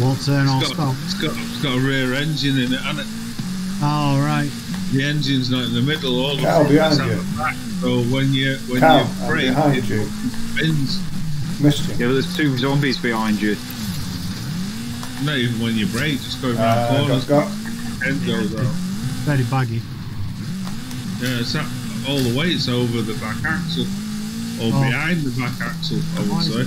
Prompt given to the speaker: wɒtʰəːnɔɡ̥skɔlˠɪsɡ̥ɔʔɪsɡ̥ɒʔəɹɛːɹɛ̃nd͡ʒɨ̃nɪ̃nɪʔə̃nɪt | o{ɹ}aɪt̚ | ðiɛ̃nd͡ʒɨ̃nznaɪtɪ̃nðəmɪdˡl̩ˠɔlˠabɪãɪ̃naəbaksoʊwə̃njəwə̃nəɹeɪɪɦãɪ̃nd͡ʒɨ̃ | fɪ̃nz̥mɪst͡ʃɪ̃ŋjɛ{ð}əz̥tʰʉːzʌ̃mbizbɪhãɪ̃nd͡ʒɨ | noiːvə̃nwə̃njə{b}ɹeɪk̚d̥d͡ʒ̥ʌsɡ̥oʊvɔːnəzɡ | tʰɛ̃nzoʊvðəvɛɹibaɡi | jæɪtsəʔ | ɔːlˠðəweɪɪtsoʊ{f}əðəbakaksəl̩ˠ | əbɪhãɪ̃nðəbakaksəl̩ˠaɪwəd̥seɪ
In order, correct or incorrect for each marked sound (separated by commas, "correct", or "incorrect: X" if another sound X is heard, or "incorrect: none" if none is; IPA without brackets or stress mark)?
correct, correct, correct, incorrect: v